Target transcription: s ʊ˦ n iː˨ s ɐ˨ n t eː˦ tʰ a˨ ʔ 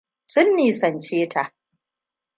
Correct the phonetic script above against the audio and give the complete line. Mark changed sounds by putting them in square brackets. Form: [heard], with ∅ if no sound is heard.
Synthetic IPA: s ʊ˦ [nː] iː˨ s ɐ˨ n [t͡ʃ] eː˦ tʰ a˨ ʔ